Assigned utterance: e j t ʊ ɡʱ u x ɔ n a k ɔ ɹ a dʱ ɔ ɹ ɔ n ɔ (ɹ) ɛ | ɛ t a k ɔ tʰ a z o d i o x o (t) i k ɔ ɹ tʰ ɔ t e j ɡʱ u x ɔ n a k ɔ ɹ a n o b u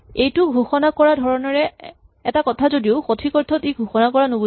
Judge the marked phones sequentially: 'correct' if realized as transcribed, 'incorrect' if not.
correct, incorrect

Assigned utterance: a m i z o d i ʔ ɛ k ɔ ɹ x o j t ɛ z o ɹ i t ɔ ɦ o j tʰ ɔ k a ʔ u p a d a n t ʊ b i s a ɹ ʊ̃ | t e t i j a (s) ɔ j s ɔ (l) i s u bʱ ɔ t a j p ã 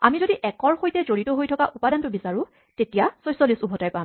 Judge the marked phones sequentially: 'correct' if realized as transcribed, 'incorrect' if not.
correct, correct

